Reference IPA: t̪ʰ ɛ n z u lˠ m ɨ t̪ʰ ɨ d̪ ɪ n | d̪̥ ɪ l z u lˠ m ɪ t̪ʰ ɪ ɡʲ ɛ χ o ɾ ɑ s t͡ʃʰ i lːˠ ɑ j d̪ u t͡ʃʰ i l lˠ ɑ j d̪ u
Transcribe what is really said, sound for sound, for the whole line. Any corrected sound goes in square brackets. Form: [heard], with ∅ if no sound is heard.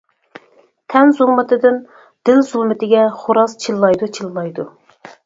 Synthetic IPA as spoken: t̪ʰ ɛ n z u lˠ m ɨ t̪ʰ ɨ d̪ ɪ n | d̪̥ ɪ l z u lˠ m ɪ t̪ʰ ɪ ɡʲ ɛ χ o ɾ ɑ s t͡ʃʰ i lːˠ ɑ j d̪ u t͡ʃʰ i l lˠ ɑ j d̪ u